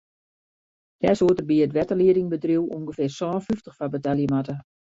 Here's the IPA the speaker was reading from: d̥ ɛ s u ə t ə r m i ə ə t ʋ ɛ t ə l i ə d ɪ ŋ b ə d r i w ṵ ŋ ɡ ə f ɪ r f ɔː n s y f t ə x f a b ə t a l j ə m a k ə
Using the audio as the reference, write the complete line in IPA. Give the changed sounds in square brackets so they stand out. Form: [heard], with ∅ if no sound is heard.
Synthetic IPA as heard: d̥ ɛ s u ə t ə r [b] i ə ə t ʋ ɛ t ə l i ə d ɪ ŋ b ə d r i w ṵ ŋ ɡ ə f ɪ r [s] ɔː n [f] y f t ə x f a b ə t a l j ə m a [t] ə

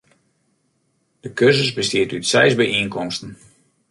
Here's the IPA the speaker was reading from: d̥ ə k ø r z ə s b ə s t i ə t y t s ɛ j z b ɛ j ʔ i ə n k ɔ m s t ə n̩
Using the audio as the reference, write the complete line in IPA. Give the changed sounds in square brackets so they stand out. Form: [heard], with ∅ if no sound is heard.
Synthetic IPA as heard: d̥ ə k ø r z ə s b ə s t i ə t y t s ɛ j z b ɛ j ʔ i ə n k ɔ m s t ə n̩

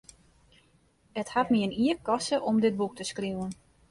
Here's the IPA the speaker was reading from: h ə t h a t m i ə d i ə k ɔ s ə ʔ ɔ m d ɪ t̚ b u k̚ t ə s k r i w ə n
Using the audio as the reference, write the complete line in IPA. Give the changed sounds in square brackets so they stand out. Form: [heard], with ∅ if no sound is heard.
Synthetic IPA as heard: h ə t h a t m i ə [n] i ə k ɔ s ə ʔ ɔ m d ɪ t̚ b u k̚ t ə s k r i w ə n

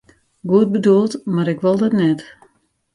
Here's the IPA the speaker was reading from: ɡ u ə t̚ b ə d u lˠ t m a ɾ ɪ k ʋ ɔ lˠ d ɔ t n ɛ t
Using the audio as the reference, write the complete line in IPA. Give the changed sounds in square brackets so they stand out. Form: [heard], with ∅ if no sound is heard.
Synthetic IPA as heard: ɡ u ə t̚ b ə d u lˠ t m a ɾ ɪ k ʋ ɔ lˠ d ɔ t n ɛ t

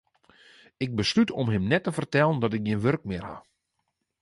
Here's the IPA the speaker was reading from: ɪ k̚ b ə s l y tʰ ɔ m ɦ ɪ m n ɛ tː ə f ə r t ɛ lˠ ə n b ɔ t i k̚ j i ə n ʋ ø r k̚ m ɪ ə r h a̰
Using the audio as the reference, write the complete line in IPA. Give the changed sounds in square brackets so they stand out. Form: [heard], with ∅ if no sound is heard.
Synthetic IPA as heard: ɪ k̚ b ə s l y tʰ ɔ m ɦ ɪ m n ɛ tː ə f ə r t ɛ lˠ ə n [d] ɔ t [ɪ] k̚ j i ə n ʋ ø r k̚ m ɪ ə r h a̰

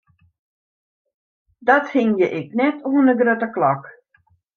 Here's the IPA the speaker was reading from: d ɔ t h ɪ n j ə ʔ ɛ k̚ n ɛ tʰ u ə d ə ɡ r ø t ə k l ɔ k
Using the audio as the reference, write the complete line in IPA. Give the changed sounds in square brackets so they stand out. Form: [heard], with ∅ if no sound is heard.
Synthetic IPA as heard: d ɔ t h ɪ [ŋ] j ə ʔ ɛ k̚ n ɛ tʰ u ə [n] ə ɡ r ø t ə k l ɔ k

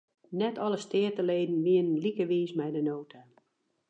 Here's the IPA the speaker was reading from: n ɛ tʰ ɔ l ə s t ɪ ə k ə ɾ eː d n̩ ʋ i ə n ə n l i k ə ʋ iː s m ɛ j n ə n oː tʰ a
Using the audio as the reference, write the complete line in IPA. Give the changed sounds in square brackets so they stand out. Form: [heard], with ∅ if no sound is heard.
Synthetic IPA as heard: n ɛ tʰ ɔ l ə s t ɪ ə [t] ə [l] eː d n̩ ʋ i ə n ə n l i k ə ʋ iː s m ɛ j [d] ə n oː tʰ a

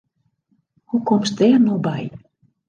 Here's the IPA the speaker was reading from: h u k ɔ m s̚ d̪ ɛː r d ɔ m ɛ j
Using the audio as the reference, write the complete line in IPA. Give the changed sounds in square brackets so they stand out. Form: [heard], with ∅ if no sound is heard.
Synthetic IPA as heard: h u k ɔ m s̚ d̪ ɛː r [n] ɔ [b] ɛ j

